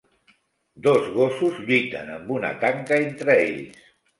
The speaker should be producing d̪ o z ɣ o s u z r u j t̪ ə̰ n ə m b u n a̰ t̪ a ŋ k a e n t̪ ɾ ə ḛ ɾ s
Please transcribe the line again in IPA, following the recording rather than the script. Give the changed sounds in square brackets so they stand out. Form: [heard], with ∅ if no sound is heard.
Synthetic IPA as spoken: d̪ o z ɣ o s u z [ʎ] u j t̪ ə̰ n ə m b u n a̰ t̪ a ŋ k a e n t̪ ɾ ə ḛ [ʎ] s